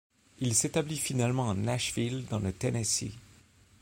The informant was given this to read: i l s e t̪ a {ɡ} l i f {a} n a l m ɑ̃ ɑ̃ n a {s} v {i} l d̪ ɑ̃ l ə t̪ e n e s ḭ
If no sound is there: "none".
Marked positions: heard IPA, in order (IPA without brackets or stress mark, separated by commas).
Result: b, i, ʃ, i